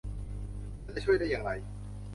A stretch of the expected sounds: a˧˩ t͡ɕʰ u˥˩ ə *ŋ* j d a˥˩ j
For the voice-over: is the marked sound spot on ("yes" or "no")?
no